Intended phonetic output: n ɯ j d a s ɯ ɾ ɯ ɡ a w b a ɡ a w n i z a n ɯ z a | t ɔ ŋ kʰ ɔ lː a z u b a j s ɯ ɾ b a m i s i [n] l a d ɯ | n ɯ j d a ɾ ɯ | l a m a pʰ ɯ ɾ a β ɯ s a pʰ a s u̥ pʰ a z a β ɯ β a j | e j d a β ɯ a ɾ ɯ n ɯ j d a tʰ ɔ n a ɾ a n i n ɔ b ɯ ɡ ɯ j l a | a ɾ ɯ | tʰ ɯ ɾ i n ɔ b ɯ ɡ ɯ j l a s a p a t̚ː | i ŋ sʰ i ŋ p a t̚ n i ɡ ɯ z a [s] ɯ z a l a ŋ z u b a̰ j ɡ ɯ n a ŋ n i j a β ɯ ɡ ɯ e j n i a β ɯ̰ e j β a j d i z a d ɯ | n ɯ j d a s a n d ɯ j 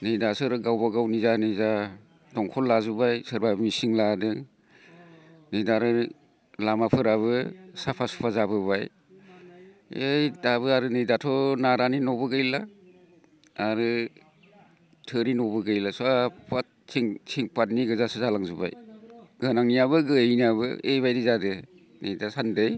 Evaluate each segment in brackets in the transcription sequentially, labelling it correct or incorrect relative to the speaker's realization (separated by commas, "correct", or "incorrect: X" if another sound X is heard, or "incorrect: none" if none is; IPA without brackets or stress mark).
incorrect: ŋ, correct